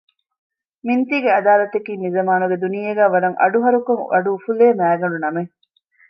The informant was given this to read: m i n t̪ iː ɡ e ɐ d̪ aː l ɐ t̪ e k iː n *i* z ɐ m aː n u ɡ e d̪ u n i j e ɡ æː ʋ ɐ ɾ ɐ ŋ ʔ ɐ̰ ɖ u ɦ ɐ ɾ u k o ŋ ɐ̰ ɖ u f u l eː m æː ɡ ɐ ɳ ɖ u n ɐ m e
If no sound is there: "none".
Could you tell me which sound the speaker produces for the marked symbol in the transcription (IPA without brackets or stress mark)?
i